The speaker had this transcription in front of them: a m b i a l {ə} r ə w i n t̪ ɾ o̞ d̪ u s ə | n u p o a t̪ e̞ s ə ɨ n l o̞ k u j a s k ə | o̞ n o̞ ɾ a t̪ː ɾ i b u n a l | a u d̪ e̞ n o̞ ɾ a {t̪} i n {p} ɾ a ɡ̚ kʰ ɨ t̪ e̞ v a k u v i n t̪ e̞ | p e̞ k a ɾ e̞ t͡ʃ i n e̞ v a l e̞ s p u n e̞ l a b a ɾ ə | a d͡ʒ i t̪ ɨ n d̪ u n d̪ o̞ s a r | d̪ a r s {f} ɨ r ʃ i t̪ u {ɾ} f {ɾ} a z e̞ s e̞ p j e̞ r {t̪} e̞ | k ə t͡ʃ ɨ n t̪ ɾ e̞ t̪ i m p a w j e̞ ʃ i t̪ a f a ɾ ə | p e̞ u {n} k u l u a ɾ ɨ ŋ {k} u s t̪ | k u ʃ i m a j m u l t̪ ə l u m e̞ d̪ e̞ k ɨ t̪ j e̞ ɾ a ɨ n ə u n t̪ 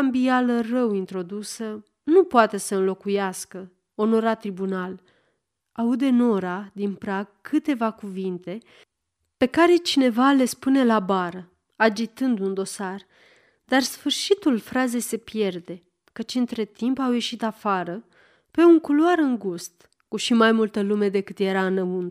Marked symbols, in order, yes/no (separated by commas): yes, no, yes, yes, no, yes, no, no, no